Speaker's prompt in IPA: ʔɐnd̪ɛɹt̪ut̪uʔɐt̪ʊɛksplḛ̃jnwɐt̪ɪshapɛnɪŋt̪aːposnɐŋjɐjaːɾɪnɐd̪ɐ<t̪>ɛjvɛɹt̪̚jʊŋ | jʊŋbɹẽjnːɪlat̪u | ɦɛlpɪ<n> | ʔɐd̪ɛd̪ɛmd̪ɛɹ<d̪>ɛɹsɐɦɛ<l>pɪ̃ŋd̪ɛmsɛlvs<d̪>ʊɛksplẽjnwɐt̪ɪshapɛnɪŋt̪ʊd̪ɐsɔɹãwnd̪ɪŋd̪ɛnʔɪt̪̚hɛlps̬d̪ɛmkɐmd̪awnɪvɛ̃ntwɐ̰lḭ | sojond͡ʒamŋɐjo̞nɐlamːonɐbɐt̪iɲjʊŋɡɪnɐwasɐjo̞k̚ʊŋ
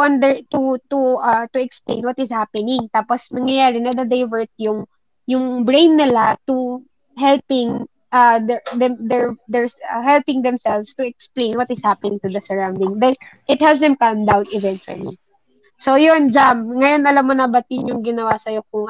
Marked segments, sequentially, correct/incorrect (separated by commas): incorrect, incorrect, correct, correct, incorrect